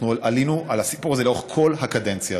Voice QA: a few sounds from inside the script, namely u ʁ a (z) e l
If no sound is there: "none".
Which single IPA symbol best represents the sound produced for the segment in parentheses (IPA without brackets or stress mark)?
z